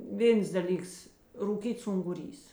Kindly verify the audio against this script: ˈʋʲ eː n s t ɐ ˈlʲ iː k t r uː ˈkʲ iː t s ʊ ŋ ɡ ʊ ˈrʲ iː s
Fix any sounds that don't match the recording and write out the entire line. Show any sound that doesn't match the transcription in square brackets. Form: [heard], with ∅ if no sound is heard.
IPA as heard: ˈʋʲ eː n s [d] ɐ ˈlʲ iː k [s] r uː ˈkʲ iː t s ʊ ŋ ɡ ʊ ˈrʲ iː s